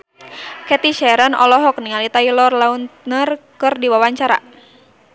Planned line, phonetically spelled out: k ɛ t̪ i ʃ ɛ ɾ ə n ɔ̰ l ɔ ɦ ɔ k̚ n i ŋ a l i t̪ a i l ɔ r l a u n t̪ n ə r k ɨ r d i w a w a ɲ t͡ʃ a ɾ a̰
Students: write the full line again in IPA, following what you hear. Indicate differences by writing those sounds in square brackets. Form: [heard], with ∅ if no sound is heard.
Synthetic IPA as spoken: k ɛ t̪ i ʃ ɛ ɾ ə n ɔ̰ l ɔ ɦ ɔ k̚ n i ŋ a l i t̪ a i l ɔ r l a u n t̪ n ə r k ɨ r d i w a w a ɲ t͡ʃ a ɾ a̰